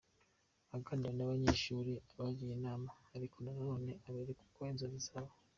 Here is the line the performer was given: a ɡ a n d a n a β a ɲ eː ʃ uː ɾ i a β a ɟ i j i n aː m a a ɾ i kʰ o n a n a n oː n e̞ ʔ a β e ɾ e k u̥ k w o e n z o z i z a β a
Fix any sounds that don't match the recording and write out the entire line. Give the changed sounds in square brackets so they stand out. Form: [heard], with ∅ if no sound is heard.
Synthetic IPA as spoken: a ɡ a n d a n a β a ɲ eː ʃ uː ɾ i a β a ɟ i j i n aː m a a ɾ i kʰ o n a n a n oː n e̞ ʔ a β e ɾ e k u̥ k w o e n z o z i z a β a